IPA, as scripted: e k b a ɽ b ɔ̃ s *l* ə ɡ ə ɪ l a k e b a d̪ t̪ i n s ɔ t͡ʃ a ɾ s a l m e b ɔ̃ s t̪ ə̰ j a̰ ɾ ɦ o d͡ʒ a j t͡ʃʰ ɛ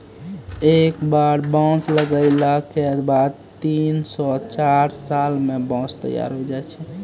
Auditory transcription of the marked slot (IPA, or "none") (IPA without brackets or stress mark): l